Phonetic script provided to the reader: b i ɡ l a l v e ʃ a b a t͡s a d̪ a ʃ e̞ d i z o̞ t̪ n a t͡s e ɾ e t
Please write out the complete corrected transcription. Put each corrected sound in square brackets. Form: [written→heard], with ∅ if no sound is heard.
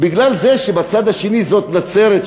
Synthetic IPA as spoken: b i ɡ l a l [v→z] e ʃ [a→e] b a t͡s a d̪ a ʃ e̞ [d→n] i z o̞ t̪ n a t͡s e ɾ e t